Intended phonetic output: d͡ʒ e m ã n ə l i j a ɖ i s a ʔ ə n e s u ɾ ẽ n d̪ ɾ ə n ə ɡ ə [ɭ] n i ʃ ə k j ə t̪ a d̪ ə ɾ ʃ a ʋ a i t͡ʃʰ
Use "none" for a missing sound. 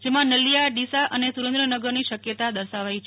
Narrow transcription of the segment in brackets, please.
ɾ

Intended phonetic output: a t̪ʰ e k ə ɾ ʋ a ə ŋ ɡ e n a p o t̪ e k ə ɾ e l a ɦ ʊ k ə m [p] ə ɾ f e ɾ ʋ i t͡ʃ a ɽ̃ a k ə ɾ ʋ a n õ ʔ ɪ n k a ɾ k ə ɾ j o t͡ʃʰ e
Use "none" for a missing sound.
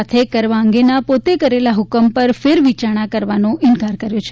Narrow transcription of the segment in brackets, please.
p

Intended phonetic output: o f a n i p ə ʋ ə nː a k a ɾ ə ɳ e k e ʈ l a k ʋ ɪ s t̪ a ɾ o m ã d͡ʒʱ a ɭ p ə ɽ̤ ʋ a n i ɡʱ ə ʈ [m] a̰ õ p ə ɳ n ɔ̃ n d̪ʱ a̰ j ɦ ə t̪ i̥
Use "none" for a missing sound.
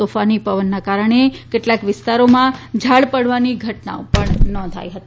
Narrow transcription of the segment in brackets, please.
n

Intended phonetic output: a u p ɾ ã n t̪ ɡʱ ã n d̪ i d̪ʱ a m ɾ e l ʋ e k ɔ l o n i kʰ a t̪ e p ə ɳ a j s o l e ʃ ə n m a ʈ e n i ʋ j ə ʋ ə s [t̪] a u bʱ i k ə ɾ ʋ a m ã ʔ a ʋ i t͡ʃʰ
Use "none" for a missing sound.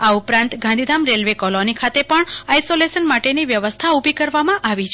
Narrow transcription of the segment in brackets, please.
t̪ʰ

